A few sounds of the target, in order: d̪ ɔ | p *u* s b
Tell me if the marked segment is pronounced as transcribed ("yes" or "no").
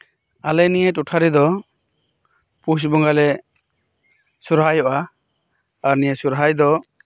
yes